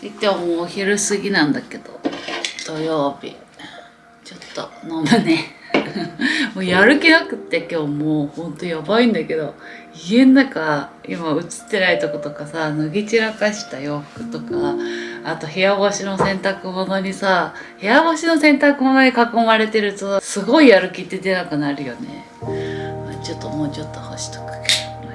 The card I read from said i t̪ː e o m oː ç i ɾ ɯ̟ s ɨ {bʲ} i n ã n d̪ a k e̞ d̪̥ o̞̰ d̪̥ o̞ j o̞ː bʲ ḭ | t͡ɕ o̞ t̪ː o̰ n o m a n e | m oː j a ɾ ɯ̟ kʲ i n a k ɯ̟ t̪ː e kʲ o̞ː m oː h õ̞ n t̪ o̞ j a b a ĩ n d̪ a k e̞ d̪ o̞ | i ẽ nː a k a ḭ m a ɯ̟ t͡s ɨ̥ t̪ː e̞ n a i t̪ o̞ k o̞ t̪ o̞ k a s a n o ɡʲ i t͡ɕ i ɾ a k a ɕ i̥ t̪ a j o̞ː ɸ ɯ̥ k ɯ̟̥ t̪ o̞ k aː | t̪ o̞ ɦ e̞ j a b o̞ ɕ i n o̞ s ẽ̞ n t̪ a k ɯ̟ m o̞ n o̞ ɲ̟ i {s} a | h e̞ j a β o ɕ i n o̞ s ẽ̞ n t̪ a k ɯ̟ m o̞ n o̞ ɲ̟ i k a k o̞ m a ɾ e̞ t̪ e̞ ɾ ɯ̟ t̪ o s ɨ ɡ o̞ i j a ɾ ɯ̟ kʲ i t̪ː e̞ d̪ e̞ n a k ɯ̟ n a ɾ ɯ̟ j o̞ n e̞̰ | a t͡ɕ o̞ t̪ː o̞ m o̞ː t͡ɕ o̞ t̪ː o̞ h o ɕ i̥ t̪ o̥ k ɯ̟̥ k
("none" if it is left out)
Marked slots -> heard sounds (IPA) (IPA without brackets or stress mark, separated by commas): ɡʲ, s